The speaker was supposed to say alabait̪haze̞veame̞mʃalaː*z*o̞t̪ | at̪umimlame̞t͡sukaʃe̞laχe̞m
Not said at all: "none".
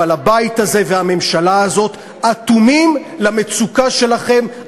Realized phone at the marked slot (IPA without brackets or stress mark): z